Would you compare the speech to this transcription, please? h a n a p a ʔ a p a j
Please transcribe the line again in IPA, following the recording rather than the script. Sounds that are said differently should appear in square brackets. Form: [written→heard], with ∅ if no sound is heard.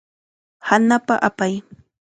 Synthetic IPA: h a n a p a ʔ a p a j